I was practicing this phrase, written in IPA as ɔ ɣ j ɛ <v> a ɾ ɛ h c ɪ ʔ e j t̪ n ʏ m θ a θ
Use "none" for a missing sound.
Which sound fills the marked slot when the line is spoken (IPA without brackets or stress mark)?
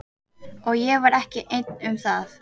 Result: v